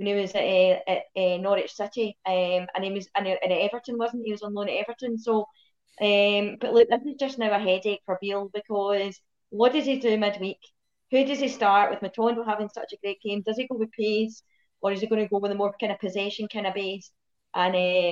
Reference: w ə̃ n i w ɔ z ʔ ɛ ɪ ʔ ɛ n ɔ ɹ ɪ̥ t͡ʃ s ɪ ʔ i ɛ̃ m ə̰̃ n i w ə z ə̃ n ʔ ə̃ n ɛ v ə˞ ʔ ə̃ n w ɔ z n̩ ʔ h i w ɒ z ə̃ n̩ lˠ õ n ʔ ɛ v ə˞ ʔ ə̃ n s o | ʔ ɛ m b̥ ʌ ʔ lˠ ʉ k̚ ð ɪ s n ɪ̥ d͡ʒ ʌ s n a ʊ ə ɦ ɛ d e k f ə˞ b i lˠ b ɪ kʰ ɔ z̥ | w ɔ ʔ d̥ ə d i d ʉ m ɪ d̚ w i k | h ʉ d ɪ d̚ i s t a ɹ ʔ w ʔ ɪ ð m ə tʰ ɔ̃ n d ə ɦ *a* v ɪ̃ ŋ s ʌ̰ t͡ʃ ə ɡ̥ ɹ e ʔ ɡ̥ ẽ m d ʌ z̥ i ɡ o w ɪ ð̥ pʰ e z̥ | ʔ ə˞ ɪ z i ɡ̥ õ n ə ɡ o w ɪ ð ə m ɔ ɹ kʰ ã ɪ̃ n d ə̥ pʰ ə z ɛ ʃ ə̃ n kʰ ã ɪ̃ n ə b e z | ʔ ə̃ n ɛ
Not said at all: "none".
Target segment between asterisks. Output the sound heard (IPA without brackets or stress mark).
a